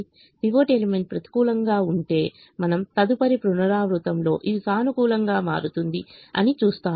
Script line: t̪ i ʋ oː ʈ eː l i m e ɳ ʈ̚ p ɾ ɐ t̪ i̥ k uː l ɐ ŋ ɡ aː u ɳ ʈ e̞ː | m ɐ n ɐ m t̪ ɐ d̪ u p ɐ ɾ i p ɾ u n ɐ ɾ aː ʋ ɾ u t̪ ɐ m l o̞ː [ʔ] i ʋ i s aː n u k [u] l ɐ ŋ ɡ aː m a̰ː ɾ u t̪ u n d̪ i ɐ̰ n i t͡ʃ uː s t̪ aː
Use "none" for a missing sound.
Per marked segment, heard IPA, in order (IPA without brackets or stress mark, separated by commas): ʔ, uː